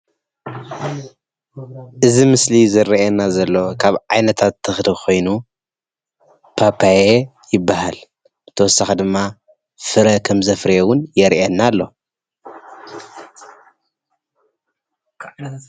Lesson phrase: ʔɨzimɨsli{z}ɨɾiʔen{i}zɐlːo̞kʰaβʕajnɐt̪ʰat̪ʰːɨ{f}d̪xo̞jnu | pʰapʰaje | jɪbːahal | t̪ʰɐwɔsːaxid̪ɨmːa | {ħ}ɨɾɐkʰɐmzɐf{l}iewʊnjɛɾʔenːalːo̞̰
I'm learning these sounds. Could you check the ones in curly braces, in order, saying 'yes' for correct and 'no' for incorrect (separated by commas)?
yes, no, no, no, no